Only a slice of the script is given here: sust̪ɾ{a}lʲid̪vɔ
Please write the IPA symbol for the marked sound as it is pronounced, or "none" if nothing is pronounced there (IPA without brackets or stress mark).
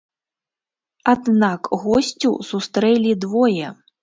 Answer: ɛ